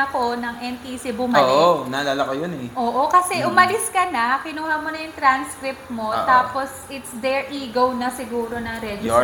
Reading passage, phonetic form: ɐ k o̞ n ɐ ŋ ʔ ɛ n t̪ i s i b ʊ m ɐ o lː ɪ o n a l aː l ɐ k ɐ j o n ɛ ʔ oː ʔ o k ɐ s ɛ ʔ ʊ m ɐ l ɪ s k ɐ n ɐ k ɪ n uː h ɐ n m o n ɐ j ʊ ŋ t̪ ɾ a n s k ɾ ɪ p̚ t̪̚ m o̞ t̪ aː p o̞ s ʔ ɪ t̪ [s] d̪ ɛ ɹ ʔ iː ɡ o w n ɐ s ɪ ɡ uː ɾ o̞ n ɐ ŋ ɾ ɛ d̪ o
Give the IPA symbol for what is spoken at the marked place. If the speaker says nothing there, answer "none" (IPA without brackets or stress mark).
s